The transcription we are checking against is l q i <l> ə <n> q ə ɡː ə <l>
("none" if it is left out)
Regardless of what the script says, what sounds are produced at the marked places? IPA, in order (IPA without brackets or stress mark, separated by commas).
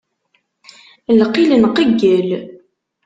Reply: l, n, l